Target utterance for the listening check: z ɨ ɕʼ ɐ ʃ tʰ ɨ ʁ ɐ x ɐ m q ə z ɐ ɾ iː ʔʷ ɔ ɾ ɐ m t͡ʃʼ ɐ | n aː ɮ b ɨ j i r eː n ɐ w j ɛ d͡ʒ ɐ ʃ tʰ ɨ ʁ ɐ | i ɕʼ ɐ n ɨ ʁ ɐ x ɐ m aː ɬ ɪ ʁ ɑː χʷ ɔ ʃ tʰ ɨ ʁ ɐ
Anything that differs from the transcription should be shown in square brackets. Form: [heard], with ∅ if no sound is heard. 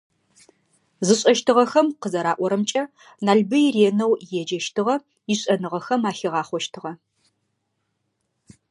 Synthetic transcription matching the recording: z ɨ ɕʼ ɐ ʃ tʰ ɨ ʁ ɐ x ɐ m q ə z ɐ ɾ [aː] ʔʷ ɔ ɾ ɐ m t͡ʃʼ ɐ | n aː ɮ b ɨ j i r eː n ɐ w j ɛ d͡ʒ ɐ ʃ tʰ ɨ ʁ ɐ | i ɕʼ ɐ n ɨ ʁ ɐ x ɐ m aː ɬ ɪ ʁ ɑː χʷ ɔ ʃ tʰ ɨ ʁ ɐ